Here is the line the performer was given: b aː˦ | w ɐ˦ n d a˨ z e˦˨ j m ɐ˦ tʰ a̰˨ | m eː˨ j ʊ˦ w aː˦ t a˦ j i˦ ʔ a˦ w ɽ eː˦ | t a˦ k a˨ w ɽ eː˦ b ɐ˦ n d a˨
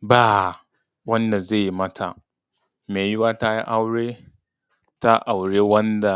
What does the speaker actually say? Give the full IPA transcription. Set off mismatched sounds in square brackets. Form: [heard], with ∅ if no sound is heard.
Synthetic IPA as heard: b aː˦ | w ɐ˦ n d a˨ z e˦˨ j m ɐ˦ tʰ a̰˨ | m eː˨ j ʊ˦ w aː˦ t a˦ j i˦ ʔ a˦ w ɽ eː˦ | t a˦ [ʔ] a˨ w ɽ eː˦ [w] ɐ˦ n d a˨